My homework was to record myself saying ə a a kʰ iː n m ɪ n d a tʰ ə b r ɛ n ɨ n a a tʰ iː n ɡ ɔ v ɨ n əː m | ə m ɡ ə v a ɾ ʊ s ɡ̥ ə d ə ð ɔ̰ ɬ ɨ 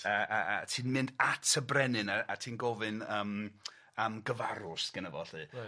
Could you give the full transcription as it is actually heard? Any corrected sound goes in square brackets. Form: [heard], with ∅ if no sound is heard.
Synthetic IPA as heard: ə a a [tʰ] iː n m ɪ n d a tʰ ə b r ɛ n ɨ n a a tʰ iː n ɡ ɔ v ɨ n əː m | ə m ɡ ə v a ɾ ʊ s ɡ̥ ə [n] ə [v] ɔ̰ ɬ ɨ